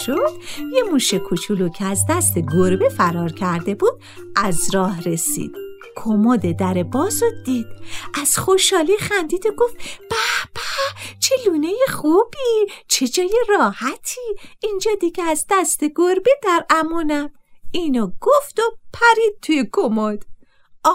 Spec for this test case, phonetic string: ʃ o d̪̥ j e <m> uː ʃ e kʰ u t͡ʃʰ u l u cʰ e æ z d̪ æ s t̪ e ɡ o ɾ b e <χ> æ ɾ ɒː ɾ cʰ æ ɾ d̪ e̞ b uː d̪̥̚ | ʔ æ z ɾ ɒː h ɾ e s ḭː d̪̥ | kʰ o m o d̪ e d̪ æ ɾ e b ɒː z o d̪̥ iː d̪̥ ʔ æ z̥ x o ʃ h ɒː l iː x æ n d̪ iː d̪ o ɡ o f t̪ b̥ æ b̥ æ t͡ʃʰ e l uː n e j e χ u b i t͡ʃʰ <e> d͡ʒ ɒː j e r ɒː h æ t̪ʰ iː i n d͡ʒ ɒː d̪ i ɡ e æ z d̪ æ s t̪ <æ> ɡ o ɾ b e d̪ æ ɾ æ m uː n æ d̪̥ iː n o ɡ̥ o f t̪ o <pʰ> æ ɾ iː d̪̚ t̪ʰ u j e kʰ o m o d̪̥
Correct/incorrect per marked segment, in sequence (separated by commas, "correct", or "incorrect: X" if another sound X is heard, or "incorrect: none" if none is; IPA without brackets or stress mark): correct, incorrect: f, correct, incorrect: e, correct